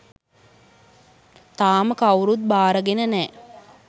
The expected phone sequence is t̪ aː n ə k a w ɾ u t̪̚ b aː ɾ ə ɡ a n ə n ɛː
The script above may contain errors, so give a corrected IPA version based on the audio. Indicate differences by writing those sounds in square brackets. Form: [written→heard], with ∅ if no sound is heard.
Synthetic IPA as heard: t̪ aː [n→m] ə k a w ɾ u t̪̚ b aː ɾ ə ɡ [a→e] n ə n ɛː